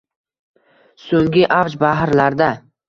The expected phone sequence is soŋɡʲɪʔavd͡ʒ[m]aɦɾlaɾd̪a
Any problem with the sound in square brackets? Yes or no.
yes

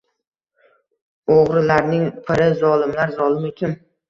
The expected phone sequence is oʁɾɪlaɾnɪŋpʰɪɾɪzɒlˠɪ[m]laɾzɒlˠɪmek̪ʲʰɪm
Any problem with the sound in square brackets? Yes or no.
no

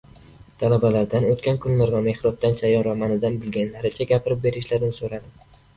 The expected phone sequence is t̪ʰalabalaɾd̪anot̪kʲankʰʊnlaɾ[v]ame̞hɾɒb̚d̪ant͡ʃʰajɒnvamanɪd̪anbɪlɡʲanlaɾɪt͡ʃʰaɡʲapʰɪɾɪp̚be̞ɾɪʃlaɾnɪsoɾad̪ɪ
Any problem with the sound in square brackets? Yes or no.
no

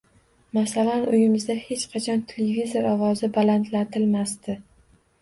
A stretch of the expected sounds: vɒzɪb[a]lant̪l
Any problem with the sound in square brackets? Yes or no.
no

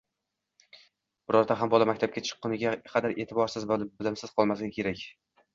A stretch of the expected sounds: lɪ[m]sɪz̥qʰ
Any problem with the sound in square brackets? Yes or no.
no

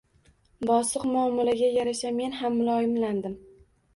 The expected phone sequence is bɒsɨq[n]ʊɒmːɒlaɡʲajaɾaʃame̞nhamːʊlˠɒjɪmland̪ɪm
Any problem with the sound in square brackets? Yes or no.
yes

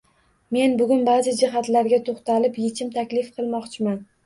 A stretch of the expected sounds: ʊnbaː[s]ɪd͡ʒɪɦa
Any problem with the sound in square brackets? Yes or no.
yes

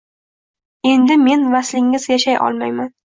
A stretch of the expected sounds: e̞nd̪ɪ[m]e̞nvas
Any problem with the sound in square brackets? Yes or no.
no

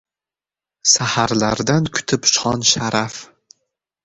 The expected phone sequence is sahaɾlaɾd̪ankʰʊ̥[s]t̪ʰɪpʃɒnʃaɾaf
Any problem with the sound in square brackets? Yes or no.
yes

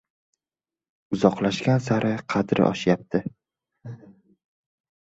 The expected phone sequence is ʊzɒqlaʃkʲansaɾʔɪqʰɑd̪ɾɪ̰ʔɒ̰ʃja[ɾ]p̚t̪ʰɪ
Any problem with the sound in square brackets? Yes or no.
yes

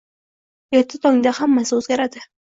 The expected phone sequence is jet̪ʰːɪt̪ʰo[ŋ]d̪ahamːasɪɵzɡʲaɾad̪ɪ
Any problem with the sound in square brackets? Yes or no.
no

